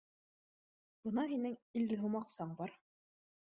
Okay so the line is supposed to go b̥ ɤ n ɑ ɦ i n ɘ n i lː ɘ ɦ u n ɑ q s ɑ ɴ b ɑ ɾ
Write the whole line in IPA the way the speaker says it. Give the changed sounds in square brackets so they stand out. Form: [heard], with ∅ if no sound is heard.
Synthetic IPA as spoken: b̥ ɤ n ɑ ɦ i n ɘ [ŋ] i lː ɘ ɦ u [m] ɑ q s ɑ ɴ b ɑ ɾ